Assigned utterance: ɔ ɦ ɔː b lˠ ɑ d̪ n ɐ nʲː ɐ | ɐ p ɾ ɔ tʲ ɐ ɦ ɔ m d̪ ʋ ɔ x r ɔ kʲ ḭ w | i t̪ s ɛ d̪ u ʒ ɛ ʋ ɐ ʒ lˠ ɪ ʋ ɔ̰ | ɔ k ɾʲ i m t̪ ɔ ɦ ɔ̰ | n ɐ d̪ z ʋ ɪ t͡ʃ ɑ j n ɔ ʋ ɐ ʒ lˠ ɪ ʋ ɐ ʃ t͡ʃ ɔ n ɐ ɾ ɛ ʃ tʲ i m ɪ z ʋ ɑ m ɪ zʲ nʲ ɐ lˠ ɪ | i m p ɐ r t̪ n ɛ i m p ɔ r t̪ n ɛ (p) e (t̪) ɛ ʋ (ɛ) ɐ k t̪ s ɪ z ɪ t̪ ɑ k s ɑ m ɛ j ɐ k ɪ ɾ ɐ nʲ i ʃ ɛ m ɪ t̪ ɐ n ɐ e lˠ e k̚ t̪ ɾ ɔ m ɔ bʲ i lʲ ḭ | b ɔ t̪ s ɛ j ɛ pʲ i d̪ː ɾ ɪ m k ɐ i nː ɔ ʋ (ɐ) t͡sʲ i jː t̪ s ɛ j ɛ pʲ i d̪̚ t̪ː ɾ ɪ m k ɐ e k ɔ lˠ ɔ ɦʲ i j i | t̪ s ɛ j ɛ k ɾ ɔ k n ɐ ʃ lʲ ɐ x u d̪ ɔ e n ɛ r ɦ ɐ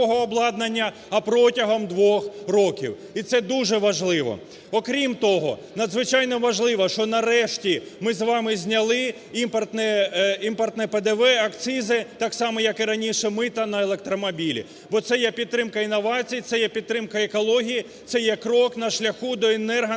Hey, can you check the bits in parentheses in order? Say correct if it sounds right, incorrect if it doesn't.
correct, incorrect: d̪, correct, incorrect: ɑ

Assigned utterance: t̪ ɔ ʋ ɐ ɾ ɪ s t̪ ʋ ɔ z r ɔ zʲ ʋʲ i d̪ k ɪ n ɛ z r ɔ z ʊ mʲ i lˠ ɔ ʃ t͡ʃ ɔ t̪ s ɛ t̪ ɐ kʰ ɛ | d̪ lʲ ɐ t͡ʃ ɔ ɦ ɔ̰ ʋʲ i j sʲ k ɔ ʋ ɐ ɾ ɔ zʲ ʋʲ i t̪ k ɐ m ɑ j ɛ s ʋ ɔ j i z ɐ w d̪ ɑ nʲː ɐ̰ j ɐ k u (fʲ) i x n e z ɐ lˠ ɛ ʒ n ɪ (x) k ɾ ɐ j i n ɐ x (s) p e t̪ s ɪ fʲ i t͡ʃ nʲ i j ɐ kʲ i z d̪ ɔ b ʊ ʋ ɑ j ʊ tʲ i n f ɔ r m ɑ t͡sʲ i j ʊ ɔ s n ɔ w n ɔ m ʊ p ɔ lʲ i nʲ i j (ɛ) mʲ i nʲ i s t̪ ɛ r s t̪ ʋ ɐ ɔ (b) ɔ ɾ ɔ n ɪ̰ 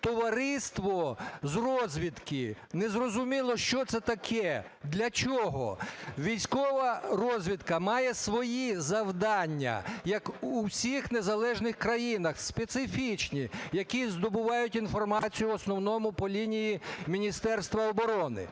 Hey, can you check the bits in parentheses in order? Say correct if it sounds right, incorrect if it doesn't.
incorrect: sʲ, correct, correct, incorrect: i, correct

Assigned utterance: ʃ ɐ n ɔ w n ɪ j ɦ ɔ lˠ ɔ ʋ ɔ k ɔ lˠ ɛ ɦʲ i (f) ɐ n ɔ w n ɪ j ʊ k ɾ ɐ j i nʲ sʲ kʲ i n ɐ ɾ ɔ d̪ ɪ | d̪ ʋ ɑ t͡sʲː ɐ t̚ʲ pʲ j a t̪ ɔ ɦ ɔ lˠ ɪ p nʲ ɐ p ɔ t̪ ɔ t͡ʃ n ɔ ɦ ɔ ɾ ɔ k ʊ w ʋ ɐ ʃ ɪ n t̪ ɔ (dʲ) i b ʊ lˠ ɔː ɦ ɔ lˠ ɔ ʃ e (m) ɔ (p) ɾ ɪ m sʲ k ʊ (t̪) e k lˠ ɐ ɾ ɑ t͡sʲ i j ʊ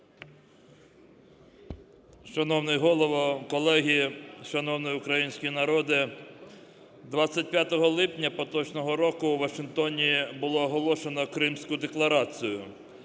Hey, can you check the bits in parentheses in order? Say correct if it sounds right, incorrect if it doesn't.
incorrect: ʃ, incorrect: nʲ, incorrect: n, incorrect: k, incorrect: d̪

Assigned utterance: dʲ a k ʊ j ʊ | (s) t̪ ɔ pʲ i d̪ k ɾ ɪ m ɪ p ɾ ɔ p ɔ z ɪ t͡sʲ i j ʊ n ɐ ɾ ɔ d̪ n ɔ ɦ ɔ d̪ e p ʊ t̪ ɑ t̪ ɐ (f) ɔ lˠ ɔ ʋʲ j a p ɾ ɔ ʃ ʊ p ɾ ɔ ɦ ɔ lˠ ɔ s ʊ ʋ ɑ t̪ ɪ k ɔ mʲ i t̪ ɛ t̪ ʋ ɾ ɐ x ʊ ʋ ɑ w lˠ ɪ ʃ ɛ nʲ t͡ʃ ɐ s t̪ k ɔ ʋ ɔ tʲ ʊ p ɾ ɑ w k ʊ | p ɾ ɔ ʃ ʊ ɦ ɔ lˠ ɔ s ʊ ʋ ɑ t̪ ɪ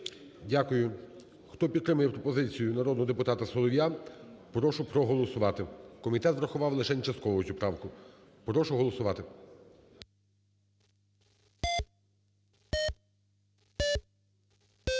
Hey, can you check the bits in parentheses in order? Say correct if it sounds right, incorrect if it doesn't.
incorrect: x, incorrect: s

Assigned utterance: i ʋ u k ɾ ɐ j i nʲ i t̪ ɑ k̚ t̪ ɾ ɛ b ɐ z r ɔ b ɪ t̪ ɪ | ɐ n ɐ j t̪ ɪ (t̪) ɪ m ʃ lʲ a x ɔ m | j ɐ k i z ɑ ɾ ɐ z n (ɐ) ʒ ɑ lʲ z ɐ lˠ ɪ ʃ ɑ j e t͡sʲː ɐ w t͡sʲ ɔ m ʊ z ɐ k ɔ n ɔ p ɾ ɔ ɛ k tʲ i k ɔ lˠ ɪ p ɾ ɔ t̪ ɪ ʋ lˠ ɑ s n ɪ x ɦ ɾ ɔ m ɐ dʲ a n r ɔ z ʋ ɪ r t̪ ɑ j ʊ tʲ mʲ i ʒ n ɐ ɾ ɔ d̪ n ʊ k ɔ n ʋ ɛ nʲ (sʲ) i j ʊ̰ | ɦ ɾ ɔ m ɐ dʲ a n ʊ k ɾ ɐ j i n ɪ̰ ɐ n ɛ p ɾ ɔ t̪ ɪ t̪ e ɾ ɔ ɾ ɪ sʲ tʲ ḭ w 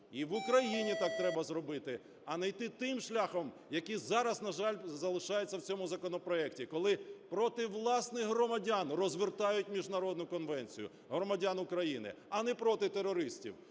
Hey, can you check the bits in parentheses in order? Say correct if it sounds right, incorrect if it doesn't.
correct, correct, incorrect: t͡sʲ

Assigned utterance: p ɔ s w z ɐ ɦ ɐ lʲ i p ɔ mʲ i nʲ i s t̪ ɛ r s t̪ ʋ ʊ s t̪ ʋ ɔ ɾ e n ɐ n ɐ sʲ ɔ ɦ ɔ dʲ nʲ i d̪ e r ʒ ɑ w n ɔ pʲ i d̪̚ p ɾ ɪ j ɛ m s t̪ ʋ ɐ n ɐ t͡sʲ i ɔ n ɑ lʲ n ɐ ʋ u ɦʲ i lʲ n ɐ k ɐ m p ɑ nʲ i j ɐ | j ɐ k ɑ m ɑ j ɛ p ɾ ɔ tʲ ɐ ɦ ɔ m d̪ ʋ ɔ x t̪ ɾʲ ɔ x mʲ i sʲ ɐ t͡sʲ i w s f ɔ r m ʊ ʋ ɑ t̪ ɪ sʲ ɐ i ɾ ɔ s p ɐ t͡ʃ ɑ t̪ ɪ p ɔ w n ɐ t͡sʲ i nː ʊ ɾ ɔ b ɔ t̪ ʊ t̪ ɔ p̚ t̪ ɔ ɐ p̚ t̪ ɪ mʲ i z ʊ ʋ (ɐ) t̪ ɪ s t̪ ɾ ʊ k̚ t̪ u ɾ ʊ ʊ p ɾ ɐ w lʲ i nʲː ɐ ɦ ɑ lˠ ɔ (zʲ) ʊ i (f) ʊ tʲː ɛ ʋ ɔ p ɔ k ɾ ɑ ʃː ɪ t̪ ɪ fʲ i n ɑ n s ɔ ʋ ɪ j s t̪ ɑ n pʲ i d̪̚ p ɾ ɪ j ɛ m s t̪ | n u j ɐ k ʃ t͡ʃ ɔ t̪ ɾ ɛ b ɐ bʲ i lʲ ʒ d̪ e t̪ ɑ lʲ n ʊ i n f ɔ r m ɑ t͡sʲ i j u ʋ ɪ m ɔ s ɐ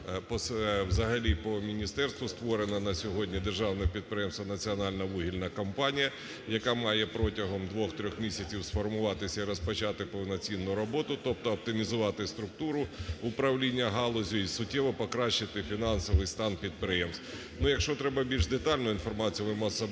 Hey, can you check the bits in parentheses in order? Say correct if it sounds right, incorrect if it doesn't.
incorrect: ɑ, correct, incorrect: s

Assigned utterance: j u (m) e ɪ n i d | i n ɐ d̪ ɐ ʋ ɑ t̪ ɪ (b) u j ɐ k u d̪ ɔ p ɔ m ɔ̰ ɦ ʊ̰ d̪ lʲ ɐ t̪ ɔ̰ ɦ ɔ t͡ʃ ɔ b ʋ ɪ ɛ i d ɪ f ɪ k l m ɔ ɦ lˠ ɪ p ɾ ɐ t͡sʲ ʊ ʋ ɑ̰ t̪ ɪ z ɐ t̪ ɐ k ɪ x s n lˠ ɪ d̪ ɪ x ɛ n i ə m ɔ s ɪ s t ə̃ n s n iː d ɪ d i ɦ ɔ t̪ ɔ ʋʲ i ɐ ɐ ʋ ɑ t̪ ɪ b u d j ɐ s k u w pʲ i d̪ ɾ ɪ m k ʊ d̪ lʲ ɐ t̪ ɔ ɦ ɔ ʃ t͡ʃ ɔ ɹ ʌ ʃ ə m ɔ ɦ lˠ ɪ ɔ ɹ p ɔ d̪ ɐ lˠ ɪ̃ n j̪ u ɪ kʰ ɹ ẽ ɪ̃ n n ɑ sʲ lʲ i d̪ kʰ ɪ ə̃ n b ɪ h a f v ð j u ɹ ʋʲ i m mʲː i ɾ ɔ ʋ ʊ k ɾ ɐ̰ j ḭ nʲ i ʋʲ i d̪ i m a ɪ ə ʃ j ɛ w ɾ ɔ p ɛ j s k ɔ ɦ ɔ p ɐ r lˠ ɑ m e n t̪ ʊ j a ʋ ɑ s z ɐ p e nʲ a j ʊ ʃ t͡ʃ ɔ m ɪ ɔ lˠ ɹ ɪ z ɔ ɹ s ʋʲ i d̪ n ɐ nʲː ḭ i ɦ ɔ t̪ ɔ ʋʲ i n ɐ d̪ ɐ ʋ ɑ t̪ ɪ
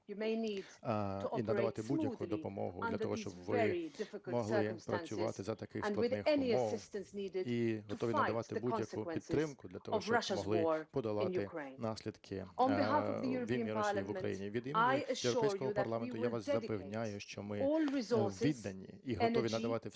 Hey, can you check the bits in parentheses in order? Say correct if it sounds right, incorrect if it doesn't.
correct, correct

